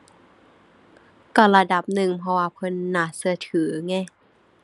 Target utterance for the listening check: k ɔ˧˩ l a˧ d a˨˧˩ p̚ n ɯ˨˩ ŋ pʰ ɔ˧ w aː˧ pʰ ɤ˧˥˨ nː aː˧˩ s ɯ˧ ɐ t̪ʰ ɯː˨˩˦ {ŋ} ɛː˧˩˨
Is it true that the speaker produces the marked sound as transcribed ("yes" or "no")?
yes